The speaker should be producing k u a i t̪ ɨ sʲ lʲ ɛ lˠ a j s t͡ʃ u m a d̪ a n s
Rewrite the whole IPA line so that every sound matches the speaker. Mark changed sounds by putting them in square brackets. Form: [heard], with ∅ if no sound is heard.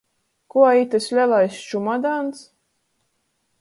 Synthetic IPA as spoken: k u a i t̪ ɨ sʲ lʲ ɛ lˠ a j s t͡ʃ u m a d̪ a n s